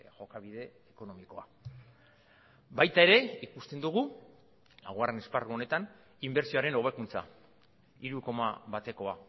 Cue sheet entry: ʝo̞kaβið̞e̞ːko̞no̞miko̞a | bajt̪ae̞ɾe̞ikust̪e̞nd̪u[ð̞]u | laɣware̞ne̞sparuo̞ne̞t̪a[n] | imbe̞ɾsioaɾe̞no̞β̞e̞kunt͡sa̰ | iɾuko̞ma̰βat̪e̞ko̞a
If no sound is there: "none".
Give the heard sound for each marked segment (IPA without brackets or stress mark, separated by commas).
ɣ̞, n